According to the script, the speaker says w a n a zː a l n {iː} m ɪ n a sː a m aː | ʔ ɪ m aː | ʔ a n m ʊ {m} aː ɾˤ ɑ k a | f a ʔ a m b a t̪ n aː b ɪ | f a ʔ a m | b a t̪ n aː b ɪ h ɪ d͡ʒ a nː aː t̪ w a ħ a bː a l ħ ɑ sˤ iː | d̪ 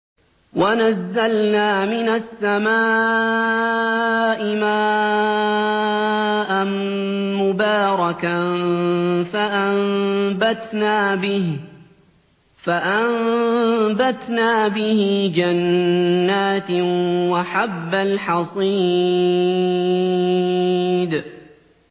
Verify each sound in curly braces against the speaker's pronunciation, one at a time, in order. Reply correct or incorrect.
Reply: incorrect, incorrect

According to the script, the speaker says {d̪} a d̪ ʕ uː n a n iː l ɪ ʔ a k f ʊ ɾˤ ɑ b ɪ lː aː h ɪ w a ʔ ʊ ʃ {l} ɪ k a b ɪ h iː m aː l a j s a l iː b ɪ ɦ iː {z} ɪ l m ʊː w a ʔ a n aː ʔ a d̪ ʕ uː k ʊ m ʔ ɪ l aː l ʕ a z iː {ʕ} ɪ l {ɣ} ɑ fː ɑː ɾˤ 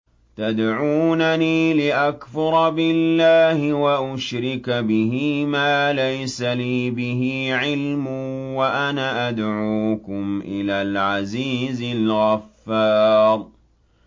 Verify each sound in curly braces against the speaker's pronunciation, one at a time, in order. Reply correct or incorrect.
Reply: incorrect, incorrect, incorrect, incorrect, correct

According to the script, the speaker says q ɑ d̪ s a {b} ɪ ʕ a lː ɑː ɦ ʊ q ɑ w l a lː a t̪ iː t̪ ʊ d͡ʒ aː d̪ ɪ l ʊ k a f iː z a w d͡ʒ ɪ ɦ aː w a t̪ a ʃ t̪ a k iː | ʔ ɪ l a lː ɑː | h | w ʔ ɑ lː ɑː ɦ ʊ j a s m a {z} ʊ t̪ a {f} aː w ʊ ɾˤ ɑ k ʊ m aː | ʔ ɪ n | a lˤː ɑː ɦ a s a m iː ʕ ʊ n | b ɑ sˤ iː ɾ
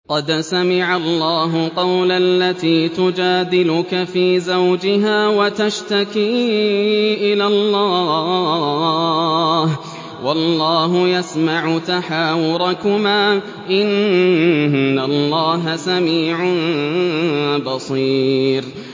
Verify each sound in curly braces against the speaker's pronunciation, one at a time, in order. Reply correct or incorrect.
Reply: incorrect, incorrect, incorrect

